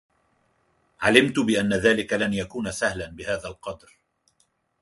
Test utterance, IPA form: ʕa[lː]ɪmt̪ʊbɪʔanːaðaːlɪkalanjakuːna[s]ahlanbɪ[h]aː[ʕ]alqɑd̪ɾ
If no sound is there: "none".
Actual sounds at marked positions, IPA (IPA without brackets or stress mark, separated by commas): l, s, h, ð